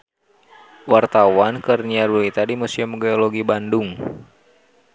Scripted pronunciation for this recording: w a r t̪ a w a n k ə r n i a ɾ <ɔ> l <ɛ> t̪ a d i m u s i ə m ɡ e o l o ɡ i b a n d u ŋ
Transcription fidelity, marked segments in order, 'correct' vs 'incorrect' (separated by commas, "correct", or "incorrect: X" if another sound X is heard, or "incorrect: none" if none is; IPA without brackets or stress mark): incorrect: u, incorrect: i